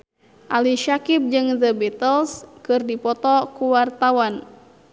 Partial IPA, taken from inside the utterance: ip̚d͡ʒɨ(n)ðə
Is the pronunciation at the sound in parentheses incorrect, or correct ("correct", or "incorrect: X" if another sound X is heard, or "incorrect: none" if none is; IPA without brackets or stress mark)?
incorrect: ŋ